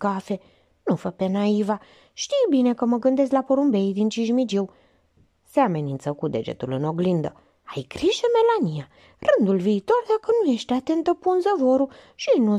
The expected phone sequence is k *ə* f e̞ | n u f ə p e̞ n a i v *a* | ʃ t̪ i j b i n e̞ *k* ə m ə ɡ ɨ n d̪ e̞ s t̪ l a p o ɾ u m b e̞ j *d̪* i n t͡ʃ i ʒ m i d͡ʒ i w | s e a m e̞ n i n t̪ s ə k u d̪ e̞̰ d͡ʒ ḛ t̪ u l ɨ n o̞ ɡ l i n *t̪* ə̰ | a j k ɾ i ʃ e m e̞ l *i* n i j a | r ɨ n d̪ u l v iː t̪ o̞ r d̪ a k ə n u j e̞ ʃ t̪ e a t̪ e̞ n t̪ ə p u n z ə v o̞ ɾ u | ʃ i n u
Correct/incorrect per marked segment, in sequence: incorrect, correct, correct, correct, incorrect, incorrect

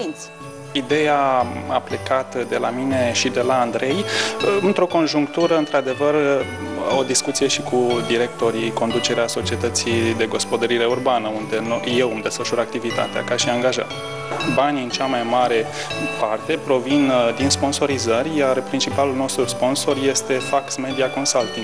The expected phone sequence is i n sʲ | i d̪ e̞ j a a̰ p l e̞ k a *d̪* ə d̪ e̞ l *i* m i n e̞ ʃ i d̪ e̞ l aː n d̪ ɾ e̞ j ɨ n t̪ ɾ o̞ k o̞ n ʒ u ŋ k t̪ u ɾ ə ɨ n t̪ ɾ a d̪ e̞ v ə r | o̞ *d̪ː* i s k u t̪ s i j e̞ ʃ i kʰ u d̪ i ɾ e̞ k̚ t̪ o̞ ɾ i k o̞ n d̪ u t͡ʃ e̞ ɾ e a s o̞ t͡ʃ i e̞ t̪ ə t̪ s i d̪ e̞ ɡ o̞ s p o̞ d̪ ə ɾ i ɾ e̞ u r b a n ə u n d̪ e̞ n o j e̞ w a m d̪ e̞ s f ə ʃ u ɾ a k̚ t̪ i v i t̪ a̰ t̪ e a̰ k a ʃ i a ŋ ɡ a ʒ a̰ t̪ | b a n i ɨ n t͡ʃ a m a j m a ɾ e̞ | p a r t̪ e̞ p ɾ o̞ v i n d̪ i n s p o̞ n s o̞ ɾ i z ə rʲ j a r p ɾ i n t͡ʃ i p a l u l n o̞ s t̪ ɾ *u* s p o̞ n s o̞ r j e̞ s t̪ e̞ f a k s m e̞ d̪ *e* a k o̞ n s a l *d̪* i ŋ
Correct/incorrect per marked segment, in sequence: incorrect, incorrect, incorrect, correct, incorrect, incorrect

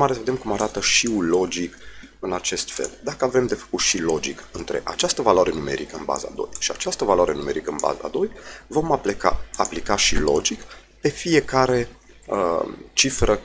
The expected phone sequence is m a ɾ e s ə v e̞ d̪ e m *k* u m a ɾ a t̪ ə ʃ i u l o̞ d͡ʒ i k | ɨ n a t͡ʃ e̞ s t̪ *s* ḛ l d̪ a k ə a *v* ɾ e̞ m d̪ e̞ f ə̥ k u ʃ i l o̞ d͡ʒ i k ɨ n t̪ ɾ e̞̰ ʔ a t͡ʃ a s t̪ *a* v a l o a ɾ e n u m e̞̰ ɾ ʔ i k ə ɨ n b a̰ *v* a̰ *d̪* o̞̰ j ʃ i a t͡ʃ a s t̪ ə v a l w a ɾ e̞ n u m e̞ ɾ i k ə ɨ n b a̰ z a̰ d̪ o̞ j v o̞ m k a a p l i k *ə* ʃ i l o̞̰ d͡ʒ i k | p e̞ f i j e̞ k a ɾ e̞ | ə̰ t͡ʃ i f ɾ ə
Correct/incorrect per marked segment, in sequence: correct, incorrect, correct, incorrect, incorrect, correct, incorrect

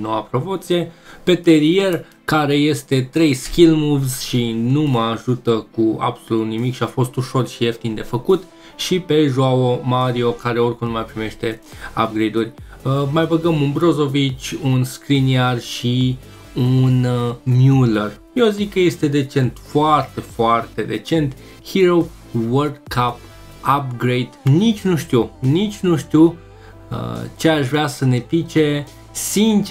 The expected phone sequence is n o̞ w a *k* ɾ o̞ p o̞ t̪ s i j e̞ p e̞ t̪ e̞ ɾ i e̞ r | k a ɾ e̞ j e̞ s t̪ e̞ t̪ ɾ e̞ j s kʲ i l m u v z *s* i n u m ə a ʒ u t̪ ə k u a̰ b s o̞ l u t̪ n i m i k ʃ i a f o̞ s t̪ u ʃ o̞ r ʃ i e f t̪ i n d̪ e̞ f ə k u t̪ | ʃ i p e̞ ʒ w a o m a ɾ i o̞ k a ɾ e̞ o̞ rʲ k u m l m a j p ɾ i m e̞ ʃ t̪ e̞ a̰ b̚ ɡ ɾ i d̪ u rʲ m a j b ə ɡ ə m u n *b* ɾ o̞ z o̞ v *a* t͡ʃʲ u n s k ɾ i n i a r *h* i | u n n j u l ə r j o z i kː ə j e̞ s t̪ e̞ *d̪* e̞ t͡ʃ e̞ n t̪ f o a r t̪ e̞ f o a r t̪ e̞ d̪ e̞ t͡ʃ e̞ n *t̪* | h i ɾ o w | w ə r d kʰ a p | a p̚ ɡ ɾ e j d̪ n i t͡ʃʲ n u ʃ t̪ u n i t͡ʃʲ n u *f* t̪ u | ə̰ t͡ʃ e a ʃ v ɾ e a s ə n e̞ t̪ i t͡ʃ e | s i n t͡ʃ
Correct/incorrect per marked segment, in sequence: incorrect, incorrect, correct, incorrect, incorrect, correct, correct, incorrect

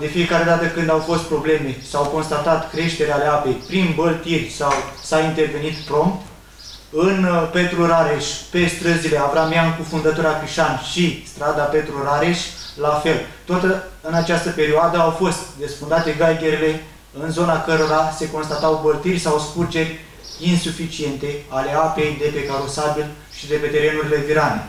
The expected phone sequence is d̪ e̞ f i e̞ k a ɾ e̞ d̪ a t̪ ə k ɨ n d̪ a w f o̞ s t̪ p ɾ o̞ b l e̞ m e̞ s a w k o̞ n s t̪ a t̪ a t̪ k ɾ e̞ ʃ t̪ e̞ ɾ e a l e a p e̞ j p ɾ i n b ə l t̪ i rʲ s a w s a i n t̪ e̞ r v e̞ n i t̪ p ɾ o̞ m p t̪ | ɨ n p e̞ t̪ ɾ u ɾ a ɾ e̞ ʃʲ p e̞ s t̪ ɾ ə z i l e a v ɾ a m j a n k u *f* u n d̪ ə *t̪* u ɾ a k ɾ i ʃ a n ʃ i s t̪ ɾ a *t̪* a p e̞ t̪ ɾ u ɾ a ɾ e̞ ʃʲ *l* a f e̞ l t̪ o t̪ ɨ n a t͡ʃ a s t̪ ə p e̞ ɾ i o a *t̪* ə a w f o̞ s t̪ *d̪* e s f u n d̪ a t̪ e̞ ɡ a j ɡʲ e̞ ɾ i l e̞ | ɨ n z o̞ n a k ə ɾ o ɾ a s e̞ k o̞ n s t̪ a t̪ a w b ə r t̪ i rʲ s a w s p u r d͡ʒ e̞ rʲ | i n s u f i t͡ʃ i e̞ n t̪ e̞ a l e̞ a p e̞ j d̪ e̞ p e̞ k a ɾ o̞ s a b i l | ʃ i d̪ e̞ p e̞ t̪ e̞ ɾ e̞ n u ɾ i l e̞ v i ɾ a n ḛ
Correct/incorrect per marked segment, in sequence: correct, correct, incorrect, correct, incorrect, correct

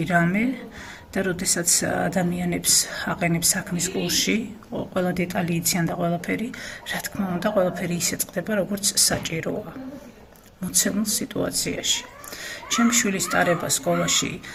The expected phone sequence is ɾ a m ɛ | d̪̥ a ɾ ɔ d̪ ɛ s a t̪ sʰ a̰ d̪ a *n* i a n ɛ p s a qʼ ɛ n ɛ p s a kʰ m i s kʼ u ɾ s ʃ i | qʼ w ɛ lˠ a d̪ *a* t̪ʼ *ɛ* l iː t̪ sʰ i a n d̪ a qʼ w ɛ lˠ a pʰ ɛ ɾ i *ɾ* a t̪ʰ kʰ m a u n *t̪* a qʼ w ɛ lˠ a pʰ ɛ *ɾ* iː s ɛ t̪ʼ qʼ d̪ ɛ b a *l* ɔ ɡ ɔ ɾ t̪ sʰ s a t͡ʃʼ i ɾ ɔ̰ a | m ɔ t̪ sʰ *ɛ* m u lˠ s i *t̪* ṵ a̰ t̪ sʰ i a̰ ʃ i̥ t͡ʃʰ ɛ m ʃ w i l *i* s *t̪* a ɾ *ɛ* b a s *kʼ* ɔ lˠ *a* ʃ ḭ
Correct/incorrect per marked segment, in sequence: incorrect, incorrect, incorrect, correct, incorrect, correct, incorrect, correct, incorrect, correct, incorrect, correct, correct, correct

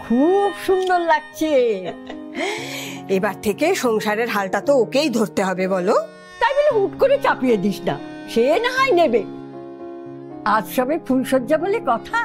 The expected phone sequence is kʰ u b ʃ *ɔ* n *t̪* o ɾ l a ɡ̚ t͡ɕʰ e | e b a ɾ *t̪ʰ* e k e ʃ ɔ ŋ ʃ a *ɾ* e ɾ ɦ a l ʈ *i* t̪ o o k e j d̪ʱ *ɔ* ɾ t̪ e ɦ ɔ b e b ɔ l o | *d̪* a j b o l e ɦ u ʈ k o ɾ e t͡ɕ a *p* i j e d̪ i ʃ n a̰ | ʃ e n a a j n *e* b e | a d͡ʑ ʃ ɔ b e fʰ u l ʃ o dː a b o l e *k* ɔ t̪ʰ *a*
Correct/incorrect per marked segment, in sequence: incorrect, incorrect, correct, correct, incorrect, incorrect, incorrect, correct, correct, correct, correct

